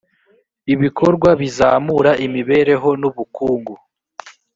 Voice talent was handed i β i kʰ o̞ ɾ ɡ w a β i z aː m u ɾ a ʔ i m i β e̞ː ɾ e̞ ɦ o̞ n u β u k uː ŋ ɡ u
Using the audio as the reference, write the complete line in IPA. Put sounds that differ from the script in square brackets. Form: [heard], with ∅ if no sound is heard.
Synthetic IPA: i β i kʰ o̞ ɾ ɡ w a β i z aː m u ɾ a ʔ i m i β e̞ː ɾ e̞ ɦ o̞ n u β u k uː ŋ ɡ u